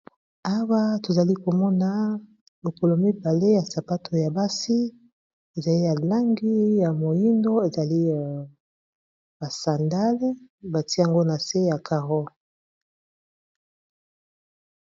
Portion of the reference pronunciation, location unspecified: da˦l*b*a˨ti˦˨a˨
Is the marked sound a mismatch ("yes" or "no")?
no